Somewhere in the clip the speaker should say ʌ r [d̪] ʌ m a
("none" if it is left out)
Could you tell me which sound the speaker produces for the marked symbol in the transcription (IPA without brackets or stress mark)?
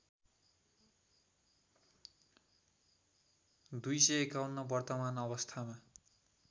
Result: t̪